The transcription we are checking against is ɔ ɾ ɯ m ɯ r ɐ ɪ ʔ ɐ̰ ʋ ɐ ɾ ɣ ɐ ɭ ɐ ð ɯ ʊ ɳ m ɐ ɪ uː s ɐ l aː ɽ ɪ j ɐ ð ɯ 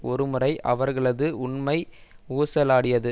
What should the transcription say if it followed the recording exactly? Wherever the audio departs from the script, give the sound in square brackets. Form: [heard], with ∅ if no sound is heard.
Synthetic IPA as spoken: ɔ ɾ ɯ m ɯ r ɐ ɪ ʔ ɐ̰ ʋ ɐ ɾ ɣ ɐ ɭ ɐ ð ɯ ʊ ɳ m ɐ ɪ uː s ɐ l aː ɽ ɪ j ɐ ð ɯ